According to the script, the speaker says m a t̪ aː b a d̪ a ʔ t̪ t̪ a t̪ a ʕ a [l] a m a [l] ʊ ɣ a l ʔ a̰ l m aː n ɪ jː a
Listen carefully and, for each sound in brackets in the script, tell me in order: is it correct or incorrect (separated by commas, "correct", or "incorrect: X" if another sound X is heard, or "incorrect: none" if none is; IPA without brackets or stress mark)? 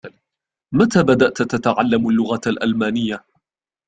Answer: incorrect: lː, incorrect: lː